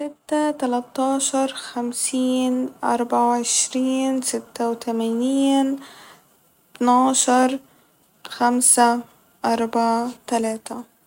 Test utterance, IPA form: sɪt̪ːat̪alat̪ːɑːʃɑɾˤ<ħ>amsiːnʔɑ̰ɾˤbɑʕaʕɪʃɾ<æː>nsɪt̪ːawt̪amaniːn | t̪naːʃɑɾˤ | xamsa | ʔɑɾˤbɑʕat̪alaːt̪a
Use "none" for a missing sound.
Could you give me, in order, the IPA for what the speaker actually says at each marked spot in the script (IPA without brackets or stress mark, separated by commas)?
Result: x, iː